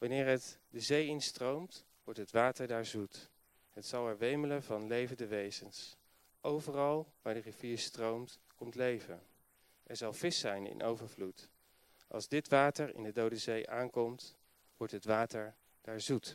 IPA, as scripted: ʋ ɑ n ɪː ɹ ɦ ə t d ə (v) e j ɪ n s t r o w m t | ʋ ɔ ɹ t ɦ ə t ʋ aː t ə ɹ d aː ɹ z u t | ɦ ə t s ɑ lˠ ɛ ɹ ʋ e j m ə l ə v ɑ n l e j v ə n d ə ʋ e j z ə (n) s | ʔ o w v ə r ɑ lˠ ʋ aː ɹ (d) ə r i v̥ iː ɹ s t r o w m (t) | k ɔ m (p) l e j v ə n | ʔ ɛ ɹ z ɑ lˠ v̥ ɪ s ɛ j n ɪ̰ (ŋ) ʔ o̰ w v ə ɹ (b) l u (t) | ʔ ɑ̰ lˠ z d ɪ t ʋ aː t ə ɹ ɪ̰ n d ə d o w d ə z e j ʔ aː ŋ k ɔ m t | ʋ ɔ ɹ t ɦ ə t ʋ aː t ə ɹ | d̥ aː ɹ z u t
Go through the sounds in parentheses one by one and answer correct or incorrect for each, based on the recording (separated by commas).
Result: incorrect, correct, correct, correct, incorrect, incorrect, incorrect, correct